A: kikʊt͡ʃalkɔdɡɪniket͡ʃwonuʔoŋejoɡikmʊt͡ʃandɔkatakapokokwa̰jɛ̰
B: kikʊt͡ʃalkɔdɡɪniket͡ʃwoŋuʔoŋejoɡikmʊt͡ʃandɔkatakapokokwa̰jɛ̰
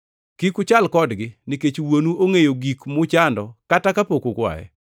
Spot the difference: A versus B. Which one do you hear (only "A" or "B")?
A